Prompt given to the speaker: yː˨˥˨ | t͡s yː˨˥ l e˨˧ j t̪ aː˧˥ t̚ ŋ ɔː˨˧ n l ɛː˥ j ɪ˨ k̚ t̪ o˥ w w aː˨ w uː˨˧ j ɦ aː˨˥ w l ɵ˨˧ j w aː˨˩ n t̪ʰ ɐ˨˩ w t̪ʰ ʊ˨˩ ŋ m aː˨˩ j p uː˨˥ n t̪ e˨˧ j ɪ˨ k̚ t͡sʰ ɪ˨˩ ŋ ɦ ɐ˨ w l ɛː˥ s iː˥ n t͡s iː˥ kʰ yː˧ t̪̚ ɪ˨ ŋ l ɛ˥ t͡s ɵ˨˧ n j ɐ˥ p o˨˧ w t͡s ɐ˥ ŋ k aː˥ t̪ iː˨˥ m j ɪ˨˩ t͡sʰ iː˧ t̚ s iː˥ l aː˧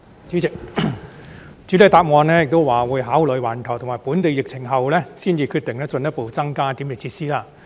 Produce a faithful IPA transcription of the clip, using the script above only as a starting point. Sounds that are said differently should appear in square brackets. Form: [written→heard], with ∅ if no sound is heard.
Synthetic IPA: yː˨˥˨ | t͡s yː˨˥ l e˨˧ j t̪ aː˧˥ [t̚→p̚] ŋ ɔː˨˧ n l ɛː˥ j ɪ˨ k̚ t̪ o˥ w w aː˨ w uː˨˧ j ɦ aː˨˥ w l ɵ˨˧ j w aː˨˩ n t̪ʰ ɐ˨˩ w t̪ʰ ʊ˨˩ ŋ m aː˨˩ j p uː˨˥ n t̪ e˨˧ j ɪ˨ k̚ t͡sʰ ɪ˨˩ ŋ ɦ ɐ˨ w l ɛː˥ s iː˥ n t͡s [iː˥→iː˨˧] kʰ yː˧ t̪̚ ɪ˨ ŋ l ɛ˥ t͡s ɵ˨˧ n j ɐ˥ p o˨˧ w t͡s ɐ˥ ŋ k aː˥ t̪ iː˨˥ m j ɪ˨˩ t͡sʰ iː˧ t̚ s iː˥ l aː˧